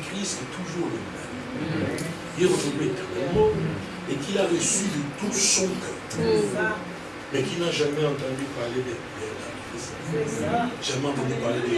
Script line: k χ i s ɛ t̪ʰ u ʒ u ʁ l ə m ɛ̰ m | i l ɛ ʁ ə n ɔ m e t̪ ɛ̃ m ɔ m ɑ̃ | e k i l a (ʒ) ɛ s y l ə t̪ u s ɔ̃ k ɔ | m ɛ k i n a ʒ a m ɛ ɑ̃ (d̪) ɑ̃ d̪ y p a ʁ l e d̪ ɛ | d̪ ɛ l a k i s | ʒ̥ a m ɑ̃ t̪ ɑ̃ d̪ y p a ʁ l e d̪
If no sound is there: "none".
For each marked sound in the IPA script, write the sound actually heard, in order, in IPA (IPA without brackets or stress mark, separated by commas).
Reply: ʁ, t̪